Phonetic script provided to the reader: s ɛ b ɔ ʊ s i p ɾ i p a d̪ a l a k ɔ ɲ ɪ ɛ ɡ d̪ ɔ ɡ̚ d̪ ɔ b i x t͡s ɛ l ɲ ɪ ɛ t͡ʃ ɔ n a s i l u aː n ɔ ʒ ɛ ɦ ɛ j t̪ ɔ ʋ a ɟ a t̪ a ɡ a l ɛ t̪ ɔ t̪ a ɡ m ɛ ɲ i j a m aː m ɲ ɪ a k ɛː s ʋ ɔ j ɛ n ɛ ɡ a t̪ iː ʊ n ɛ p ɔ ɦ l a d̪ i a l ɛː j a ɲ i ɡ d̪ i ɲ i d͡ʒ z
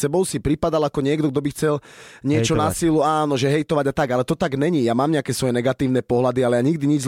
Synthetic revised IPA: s ɛ b ɔ ʊ s i p ɾ i p a d̪ a l a k ɔ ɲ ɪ ɛ ɡ d̪ ɔ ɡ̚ d̪ ɔ b i x t͡s ɛ l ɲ ɪ ɛ t͡ʃ ɔ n a s i l u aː n ɔ ʒ ɛ ɦ ɛ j t̪ ɔ ʋ a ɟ a t̪ a ɡ a l ɛ t̪ ɔ t̪ a ɡ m ɛ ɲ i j a m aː m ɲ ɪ a k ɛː s ʋ ɔ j ɛ n ɛ ɡ a t̪ iː ʊ n ɛ p ɔ ɦ l a d̪ i a l ɛ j a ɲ i ɡ d̪ i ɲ i d͡ʒ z